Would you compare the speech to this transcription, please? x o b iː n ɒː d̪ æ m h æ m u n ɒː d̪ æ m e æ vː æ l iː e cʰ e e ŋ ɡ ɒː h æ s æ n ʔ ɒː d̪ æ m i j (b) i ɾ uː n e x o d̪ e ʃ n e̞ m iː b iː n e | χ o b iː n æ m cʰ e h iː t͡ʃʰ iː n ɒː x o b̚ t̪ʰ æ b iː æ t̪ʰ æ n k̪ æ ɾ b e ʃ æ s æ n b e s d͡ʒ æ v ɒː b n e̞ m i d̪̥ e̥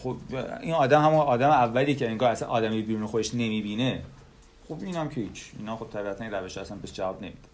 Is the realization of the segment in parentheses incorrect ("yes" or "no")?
no